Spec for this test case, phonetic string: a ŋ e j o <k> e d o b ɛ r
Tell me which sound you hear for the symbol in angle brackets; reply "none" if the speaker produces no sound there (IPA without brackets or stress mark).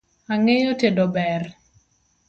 t